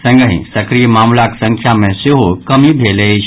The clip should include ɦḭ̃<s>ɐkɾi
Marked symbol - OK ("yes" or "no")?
yes